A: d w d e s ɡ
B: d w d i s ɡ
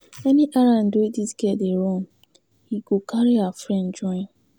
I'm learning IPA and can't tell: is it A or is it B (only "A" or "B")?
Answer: B